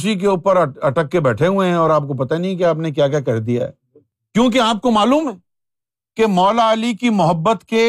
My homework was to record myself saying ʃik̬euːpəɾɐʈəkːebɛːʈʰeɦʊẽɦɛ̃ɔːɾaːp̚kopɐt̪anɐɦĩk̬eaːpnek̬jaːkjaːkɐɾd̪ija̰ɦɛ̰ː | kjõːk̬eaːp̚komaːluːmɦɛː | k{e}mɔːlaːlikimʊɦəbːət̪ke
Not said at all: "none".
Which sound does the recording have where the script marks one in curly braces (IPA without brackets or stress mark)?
e